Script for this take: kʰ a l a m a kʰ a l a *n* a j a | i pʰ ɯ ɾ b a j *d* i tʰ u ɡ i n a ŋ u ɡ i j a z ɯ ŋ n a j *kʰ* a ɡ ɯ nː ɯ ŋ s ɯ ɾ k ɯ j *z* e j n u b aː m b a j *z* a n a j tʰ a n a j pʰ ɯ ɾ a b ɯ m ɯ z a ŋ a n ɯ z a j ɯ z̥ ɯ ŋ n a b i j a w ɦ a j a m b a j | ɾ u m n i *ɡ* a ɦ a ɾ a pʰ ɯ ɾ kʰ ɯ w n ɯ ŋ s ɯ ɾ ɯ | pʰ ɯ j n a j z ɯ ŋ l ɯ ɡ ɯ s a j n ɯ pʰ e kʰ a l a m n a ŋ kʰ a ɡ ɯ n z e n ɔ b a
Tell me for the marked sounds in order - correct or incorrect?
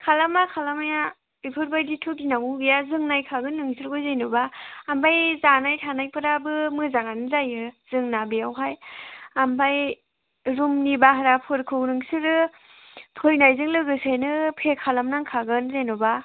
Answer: incorrect: m, correct, correct, correct, correct, incorrect: b

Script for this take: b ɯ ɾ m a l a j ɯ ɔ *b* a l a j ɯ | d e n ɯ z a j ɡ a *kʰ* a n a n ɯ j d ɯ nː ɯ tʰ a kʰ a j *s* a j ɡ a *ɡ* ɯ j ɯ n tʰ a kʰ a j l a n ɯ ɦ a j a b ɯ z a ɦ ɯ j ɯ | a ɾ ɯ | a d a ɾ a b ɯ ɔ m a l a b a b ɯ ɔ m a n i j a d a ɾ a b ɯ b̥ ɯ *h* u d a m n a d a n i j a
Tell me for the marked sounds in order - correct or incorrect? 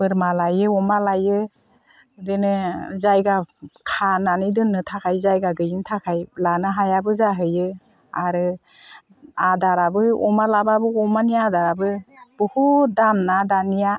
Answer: incorrect: m, correct, incorrect: z, correct, correct

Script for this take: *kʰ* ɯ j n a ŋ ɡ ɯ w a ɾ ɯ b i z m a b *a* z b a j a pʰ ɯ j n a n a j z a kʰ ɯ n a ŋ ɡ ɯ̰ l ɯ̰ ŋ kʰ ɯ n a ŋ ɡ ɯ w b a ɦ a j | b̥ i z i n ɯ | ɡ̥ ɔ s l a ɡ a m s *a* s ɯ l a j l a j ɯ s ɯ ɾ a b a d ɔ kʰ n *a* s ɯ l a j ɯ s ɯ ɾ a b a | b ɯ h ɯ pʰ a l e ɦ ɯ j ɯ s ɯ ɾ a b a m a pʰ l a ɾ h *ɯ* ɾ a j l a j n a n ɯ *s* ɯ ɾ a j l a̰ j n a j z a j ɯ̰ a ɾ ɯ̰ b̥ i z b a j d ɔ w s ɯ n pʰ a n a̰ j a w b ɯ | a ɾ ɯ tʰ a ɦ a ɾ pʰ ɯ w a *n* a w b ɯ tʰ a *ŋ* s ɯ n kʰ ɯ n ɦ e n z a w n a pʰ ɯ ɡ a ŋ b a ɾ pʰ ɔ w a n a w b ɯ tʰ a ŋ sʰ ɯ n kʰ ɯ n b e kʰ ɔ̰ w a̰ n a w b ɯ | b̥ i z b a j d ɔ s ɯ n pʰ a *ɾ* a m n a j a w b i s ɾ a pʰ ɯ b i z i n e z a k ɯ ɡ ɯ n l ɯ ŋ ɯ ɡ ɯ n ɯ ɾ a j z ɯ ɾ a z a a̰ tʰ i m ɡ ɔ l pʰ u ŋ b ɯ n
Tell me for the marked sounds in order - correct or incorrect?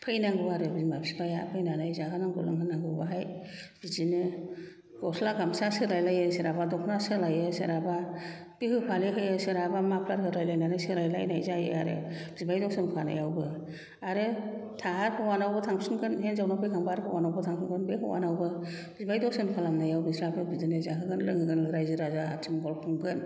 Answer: incorrect: pʰ, incorrect: i, correct, correct, correct, correct, correct, correct, incorrect: l

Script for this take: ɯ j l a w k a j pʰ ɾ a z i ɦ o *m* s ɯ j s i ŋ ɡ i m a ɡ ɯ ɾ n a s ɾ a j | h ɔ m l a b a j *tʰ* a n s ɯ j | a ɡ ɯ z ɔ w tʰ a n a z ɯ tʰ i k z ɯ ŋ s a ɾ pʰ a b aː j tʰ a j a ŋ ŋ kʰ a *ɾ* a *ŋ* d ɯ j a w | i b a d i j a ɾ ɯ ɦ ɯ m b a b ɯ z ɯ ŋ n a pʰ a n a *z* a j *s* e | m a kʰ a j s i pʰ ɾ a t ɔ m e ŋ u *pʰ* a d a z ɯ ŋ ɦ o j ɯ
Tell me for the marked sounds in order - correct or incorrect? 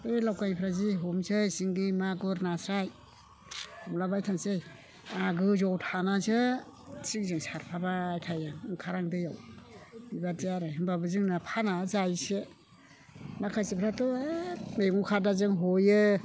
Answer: correct, correct, correct, correct, correct, correct, incorrect: kʰ

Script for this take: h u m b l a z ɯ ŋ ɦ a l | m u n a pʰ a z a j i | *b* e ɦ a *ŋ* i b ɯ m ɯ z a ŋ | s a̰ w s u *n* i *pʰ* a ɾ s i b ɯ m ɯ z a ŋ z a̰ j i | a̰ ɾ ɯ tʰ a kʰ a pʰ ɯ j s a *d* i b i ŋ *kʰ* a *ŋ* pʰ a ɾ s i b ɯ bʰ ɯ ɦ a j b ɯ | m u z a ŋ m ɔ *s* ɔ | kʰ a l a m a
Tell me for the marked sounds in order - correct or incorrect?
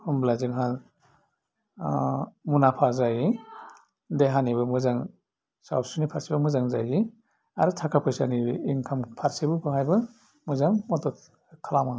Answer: incorrect: d, incorrect: n, correct, correct, incorrect: n, correct, incorrect: m, incorrect: t

